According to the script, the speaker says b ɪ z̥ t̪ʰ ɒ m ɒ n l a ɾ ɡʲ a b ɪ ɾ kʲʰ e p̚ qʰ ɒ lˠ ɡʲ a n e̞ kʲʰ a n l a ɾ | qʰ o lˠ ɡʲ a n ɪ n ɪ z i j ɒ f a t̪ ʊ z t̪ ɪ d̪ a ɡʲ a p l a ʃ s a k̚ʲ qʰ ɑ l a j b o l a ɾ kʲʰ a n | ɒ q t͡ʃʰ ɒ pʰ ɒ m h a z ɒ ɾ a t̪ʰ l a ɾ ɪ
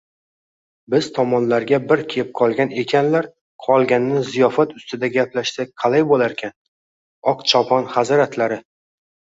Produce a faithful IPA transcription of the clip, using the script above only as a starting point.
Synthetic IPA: b ɪ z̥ t̪ʰ ɒ m ɒ n l a ɾ ɡʲ a b ɪ ɾ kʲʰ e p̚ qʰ ɒ lˠ ɡʲ a n e̞ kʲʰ a n l a ɾ | qʰ ɒ lˠ ɡʲ a n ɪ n ɪ z i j ɒ f a t̪ ʊ s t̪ ɪ d̪ a ɡʲ a p l a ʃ s a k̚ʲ qʰ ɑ l a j b o l a ɾ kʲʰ a n | ɒ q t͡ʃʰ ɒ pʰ ɒ n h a z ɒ ɾ a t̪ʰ l a ɾ ɪ